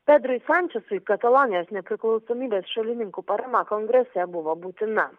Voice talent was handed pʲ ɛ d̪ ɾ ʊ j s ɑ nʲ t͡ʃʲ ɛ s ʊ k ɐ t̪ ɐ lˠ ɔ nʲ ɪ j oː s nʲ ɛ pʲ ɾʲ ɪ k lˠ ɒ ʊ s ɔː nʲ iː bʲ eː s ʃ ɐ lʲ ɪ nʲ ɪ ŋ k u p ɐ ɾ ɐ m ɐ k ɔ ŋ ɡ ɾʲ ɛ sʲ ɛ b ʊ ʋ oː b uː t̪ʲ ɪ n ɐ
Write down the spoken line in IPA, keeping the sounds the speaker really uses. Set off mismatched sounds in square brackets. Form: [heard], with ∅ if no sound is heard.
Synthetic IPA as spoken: pʲ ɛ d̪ ɾ ʊ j s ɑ nʲ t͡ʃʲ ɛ s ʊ k ɐ t̪ ɐ lˠ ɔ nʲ ɪ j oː s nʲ ɛ pʲ ɾʲ ɪ k lˠ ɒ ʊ s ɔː [mʲ] iː bʲ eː s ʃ ɐ lʲ ɪ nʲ ɪ ŋ k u p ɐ ɾ ɐ m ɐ k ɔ ŋ ɡ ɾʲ ɛ sʲ ɛ b ʊ ʋ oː b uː t̪ʲ ɪ n ɐ